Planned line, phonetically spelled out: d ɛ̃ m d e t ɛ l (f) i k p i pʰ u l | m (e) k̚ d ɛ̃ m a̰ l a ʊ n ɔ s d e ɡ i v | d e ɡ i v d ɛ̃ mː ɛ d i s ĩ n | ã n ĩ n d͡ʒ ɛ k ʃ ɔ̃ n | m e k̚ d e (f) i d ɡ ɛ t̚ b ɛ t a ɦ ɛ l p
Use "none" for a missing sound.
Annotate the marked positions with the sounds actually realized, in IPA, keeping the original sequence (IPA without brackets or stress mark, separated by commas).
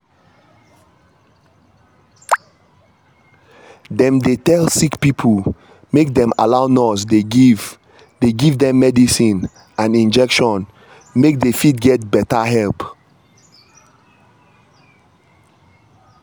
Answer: s, e, f